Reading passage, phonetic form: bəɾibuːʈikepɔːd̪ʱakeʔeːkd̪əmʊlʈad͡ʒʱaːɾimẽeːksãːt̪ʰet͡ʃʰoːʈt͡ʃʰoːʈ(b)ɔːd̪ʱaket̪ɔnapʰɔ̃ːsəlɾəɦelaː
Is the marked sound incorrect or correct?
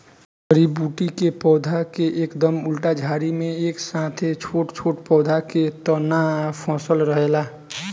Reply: incorrect